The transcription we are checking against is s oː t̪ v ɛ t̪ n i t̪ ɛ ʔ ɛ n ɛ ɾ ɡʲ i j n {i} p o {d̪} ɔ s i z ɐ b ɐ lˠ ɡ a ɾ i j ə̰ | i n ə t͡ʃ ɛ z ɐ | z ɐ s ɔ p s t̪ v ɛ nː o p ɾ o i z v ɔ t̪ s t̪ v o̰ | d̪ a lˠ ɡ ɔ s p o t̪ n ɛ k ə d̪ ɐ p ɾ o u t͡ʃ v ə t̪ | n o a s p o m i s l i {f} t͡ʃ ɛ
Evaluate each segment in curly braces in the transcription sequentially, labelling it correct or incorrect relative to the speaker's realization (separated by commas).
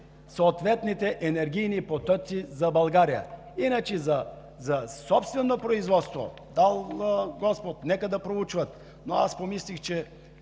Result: correct, incorrect, incorrect